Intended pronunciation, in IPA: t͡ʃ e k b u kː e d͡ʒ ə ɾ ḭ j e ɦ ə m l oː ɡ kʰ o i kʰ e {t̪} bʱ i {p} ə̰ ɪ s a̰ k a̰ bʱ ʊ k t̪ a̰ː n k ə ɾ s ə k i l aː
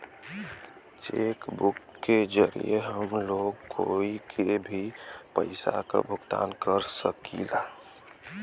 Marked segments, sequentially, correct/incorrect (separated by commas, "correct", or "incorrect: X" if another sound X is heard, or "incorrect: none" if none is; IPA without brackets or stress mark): incorrect: none, correct